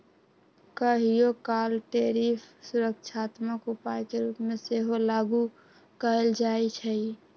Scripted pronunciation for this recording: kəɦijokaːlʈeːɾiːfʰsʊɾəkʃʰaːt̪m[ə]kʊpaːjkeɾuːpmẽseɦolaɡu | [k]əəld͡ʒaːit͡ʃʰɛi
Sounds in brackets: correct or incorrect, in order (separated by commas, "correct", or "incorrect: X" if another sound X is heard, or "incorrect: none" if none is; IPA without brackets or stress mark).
correct, correct